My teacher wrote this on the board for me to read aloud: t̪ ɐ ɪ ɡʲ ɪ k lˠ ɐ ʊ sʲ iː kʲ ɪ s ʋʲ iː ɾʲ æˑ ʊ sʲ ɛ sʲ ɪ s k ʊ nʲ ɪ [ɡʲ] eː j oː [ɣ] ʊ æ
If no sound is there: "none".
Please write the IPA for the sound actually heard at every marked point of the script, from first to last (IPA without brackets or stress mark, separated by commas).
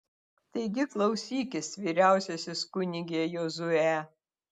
ɡʲ, z